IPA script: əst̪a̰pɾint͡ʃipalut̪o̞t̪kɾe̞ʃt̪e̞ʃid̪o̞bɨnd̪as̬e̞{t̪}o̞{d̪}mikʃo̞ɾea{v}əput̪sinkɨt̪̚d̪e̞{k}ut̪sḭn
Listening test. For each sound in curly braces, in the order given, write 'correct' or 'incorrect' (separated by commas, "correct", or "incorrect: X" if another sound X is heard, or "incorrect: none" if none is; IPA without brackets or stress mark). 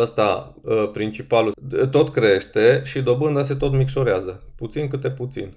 correct, incorrect: t̪, incorrect: z, incorrect: p